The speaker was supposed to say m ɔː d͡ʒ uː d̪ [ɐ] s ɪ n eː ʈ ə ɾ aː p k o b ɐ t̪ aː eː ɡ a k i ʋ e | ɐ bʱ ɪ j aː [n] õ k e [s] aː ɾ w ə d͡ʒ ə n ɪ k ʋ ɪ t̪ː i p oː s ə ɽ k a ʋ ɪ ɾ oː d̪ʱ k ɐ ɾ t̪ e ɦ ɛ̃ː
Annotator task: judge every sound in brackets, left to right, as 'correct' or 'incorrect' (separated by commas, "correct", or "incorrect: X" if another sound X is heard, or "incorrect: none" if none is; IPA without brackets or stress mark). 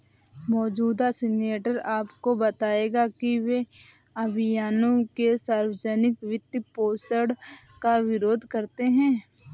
incorrect: a, correct, correct